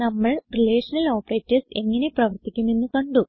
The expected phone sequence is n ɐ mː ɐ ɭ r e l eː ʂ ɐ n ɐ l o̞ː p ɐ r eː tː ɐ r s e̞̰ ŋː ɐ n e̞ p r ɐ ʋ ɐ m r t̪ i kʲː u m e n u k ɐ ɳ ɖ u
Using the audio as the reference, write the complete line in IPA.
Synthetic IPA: n ɐ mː ɐ ɭ r i l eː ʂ ɐ n ɐ l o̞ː p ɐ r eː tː ɐ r s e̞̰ ŋː ɐ n e̞ p r ɐ ʋ ɐ r t̪ i kʲː u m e nː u k ɐ ɳ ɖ u